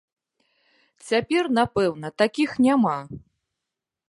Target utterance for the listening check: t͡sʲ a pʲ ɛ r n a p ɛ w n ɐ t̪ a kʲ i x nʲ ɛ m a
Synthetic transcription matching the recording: t͡sʲ a pʲ ɛ r n a p ɛ w n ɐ t̪ a kʲ i x nʲ a m a

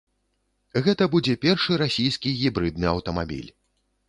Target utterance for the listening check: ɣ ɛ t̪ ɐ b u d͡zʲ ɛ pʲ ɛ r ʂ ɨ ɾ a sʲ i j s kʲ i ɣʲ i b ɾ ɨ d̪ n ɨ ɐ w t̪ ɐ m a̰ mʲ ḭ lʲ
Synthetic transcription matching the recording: ɣ ɛ t̪ ɐ b u d͡zʲ ɛ pʲ ɛ r ʂ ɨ ɾ a sʲ i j s kʲ i ɣʲ i b ɾ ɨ d̪ n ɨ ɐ w t̪ ɐ m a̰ bʲ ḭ lʲ

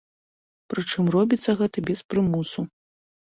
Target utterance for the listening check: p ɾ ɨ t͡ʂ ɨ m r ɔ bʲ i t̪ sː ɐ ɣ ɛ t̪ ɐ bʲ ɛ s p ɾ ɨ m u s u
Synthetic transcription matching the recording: p ɾ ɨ t͡ʂ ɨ m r ɔ bʲ i t̪ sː ɐ ɣ ɛ t̪ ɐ bʲ ɛ s p ɾ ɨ m u s u

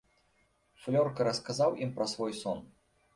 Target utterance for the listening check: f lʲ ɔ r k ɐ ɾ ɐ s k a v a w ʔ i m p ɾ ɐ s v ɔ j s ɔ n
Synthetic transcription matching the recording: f lʲ ɔ r k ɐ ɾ ɐ s k a z a w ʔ i m p ɾ ɐ s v ɔ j s ɔ n

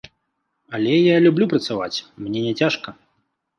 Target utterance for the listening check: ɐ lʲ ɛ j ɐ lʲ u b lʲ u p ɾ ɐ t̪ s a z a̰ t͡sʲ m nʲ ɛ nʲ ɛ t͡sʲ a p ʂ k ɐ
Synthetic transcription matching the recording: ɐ lʲ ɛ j a lʲ u b lʲ u p ɾ ɐ t̪ s a v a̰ t͡sʲ m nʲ ɛ nʲ ɛ t͡sʲ a ʂ k ɐ

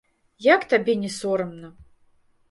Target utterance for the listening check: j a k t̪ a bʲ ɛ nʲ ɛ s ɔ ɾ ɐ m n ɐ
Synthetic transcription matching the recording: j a k t̪ a bʲ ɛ nʲ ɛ s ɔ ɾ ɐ m n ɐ

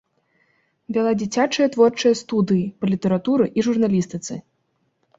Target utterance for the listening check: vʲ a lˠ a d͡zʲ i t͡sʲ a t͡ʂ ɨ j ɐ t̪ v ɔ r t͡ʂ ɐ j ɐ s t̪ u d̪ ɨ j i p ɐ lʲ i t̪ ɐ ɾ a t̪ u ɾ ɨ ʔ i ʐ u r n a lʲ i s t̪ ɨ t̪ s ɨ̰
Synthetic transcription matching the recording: vʲ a lˠ a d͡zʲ i t͡sʲ a t͡ʂ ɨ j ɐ t̪ v ɔ r t͡ʂ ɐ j ɐ s t̪ u d̪ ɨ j i p ɐ lʲ i t̪ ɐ ɾ a t̪ u ɾ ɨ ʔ i ʐ u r n a lʲ i s t̪ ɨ t̪ s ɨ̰

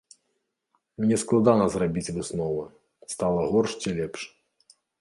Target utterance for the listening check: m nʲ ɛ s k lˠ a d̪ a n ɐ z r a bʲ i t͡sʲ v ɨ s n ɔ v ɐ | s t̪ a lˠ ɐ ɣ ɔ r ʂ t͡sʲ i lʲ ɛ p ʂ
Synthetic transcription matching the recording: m nʲ ɛ s k lˠ a d̪ a n ɐ z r a bʲ i t͡sʲ v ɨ s n ɔ v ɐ | s t̪ a lˠ ɐ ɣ ɔ r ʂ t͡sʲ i lʲ ɛ p ʂ

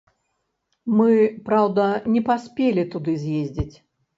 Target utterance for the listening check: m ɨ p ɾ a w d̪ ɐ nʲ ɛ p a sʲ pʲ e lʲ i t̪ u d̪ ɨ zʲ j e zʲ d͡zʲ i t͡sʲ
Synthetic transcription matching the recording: m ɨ p ɾ a w d̪ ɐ nʲ ɛ p a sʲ pʲ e lʲ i t̪ u d̪ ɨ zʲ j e zʲ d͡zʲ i t͡sʲ

